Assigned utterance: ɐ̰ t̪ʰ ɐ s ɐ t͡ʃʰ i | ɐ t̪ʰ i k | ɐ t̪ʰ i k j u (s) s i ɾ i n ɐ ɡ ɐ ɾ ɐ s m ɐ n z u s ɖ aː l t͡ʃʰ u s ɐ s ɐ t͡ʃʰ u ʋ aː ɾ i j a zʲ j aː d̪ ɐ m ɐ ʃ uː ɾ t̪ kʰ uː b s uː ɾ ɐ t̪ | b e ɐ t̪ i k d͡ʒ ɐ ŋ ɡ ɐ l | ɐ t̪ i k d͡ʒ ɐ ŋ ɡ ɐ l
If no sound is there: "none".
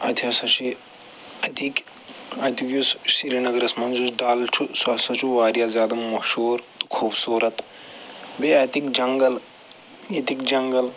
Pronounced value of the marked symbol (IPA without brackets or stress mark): s